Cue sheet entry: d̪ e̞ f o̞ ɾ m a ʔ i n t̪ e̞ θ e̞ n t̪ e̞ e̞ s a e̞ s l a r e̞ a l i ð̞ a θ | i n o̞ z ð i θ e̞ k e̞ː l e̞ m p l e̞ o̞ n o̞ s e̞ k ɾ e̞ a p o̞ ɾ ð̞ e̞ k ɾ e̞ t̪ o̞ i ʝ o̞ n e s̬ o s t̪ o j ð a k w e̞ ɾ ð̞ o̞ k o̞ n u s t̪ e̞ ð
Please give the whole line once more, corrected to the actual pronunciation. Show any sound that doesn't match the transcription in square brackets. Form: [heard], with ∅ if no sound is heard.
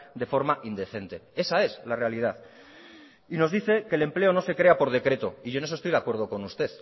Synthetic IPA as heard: d̪ e̞ f o̞ ɾ m a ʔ i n [d̪] e̞ θ e̞ n t̪ e̞ e̞ s a e̞ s l a r e̞ a l i ð̞ a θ | i n o̞ z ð i θ e̞ k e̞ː l e̞ m p l e̞ o̞ n o̞ s e̞ k ɾ e̞ a p o̞ ɾ ð̞ e̞ k ɾ e̞ t̪ o̞ i ʝ o̞ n e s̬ o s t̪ o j ð a k w e̞ ɾ ð̞ o̞ k o̞ n u s t̪ e̞ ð